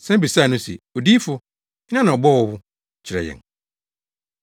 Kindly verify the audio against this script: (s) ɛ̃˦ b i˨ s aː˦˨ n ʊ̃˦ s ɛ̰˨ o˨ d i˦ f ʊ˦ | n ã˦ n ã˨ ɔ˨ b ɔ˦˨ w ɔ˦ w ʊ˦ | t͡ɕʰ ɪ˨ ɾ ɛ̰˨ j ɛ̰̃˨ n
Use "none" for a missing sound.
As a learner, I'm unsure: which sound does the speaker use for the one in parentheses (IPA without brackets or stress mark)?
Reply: s